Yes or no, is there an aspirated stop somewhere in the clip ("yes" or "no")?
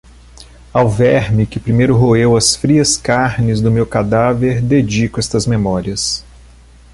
no